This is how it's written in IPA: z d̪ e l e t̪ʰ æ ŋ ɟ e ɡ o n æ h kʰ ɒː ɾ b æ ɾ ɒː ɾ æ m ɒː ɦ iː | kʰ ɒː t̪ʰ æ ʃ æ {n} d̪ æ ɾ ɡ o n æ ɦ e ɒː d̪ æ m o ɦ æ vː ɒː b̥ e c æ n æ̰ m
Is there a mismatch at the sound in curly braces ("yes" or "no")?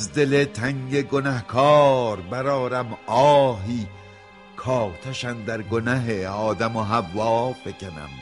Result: no